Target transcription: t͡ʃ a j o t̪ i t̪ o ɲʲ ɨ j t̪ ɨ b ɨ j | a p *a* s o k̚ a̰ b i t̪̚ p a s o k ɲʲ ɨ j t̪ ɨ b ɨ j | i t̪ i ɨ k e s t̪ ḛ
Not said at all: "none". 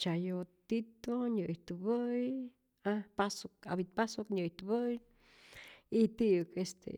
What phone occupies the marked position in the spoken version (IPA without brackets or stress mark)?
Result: a